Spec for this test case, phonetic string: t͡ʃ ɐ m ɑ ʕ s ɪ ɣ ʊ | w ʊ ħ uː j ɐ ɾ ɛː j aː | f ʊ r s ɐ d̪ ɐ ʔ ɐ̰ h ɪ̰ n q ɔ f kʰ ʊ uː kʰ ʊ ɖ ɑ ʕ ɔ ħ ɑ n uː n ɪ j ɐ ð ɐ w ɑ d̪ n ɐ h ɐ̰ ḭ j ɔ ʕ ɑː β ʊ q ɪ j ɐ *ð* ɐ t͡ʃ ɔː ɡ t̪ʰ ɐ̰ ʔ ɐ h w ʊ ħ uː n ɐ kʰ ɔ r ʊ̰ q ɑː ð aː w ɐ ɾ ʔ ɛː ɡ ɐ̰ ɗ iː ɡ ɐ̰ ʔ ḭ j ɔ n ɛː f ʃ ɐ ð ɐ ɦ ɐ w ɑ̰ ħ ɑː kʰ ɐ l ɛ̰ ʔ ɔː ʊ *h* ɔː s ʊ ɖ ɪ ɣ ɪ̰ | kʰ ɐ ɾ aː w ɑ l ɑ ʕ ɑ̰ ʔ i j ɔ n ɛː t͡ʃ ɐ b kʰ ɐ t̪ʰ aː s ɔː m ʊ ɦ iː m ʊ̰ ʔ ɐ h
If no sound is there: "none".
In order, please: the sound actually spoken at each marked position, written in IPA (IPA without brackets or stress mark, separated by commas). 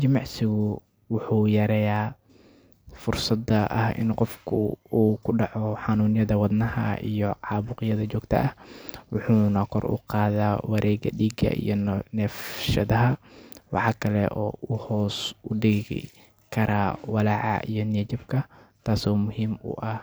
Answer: ð, h